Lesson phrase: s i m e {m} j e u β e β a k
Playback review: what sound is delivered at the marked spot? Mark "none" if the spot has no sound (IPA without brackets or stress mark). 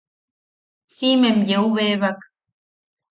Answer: m